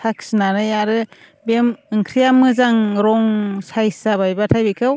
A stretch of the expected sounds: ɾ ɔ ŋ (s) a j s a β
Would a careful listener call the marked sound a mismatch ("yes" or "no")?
no